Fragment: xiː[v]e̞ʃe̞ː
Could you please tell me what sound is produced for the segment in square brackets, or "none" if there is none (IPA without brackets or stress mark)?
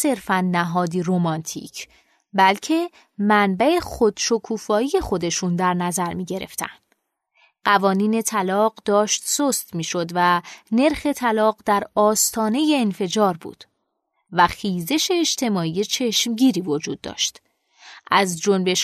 z